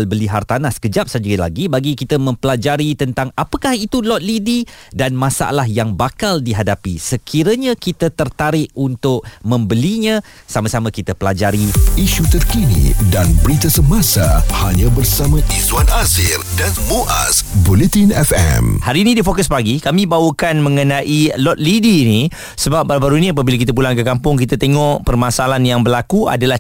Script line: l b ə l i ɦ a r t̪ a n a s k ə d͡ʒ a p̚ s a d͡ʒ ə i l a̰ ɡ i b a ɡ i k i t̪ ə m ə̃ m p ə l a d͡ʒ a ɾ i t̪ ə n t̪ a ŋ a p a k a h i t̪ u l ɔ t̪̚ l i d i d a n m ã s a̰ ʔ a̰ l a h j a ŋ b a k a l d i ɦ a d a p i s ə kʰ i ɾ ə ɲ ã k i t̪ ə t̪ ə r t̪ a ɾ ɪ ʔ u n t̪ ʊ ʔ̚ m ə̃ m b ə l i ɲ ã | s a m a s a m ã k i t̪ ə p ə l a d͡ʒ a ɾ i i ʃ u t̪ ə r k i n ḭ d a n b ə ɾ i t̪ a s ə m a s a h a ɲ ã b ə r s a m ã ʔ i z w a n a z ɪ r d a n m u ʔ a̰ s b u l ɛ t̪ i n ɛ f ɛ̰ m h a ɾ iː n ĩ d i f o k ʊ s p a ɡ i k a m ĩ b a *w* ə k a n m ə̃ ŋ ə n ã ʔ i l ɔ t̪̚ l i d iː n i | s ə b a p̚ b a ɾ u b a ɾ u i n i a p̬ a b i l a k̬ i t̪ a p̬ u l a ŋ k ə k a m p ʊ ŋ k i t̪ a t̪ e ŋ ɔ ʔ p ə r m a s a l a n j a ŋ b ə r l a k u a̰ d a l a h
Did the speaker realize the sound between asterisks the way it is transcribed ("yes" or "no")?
yes